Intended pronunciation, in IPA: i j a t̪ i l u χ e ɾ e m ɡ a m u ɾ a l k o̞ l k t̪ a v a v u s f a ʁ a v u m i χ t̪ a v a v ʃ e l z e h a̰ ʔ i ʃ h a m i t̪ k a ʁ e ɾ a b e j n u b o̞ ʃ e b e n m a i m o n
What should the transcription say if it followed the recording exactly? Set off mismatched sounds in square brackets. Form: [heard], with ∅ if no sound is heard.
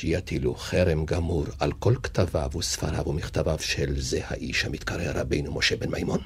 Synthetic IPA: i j a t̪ i l u χ e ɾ e m ɡ a m u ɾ a l k o̞ l k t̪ a v a v u s f a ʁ a v u m i χ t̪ a v a v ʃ e l z e h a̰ ʔ i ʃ h a m i t̪ k a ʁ e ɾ a b e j n u [m] o̞ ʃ e b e n m a [j] m o n